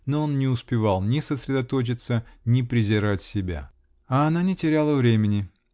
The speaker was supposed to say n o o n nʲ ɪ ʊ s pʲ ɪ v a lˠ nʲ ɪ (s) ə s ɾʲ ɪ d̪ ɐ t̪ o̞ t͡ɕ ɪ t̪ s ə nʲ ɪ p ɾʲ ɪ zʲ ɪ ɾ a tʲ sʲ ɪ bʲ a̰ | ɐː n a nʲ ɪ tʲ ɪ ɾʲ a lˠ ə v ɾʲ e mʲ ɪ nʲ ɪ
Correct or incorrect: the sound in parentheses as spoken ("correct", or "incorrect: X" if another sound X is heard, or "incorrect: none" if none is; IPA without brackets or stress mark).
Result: correct